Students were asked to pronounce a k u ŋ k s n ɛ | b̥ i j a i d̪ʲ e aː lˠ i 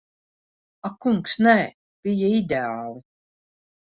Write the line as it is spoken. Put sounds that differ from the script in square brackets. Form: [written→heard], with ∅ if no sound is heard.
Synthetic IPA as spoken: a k u ŋ k s n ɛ | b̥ i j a i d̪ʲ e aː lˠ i